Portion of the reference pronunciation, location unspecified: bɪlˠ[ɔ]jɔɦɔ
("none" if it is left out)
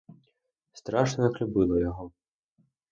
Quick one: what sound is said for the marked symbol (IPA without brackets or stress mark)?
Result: ɔ